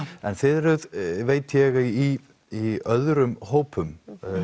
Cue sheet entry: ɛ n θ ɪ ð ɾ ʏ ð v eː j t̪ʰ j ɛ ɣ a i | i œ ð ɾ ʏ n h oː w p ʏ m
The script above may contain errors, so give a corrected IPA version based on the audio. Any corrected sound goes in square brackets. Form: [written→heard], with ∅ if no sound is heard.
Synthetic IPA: ɛ n θ ɪ ð ɾ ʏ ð v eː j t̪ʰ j ɛ ɣ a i | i œ ð ɾ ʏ [n→m] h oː w p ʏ m

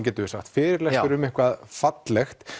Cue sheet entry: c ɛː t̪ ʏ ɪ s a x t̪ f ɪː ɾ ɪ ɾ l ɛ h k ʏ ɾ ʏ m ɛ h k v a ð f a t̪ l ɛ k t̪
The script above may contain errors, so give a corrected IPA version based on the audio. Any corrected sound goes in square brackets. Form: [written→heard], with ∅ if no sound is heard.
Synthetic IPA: c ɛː t̪ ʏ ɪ s a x t̪ f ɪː ɾ ɪ ɾ l ɛ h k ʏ ɾ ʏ m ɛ h k v a ð f a t̪ l ɛ [k→x] t̪

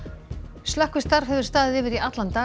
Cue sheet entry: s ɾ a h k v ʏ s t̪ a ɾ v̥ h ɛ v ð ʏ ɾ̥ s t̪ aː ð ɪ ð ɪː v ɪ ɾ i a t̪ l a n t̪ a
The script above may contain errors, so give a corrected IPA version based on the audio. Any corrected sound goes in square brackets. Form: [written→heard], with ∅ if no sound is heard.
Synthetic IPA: s [ɾ→l] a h k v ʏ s t̪ a ɾ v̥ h ɛ v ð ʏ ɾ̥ s t̪ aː ð ɪ ð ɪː v ɪ ɾ i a t̪ l a n t̪ a

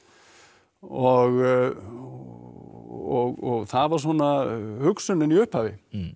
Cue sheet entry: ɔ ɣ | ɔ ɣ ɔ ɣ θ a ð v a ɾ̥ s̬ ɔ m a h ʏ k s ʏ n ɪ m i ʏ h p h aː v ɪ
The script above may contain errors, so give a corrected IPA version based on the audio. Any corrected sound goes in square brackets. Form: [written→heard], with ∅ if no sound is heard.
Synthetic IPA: ɔ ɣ | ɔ ɣ ɔ ɣ θ a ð v a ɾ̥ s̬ ɔ [m→n] a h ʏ k s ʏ n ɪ [m→n] i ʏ h p h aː v ɪ

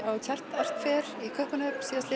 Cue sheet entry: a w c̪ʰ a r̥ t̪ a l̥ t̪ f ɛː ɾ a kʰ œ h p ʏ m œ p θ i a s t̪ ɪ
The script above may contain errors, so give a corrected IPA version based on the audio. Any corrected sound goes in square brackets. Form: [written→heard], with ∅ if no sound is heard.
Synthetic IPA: a w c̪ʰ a r̥ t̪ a [l̥→r̥] t̪ f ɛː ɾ [a→i] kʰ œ h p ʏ [m→n] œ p [θ→s] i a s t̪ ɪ

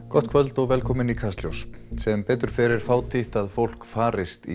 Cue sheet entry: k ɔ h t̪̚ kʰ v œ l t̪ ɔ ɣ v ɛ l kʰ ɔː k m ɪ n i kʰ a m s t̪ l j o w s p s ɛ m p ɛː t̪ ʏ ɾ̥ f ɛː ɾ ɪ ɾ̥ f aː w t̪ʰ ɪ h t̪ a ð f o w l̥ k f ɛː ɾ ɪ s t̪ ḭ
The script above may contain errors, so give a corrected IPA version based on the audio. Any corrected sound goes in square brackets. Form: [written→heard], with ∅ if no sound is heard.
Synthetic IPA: k ɔ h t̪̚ kʰ v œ l t̪ ɔ ɣ v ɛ l kʰ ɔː [k→∅] m ɪ n i kʰ a [m→∅] s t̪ l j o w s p s ɛ m p ɛː t̪ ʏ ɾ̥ f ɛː ɾ ɪ ɾ̥ f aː w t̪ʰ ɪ h t̪ a ð f o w l̥ k f [ɛː→aː] ɾ ɪ s t̪ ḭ

